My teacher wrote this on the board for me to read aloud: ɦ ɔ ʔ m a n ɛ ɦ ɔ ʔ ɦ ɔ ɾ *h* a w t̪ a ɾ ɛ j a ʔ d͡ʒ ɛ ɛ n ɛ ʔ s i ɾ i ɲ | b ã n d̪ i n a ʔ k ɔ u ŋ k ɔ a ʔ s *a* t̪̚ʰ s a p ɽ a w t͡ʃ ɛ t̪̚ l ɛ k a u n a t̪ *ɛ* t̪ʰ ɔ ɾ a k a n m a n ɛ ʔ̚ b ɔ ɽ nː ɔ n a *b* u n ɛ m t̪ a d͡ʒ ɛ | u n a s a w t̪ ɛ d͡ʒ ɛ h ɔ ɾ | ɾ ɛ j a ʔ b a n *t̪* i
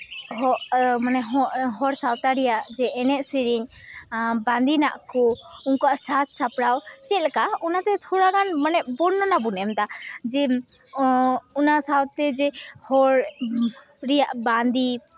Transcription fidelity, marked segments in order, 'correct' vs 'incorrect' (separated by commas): incorrect, correct, correct, correct, incorrect